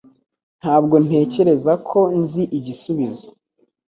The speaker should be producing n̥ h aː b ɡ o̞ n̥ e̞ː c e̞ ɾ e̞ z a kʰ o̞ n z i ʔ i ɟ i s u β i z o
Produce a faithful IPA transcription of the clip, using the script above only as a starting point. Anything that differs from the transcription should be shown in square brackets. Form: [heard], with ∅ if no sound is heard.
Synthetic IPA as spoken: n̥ h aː b ɡ o̞ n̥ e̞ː c e̞ ɾ e̞ z a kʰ o̞ n z i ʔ i ɟ i s u β i z o